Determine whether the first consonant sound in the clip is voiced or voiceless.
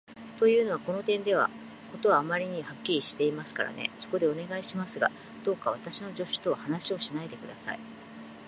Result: voiceless